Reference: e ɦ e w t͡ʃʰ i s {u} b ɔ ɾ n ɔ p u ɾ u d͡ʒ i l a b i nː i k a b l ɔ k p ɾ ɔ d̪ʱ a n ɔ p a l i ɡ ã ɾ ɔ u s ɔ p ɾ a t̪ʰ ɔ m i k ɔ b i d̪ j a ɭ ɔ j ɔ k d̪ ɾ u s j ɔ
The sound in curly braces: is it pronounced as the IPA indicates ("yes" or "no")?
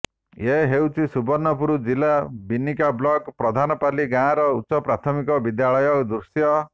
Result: yes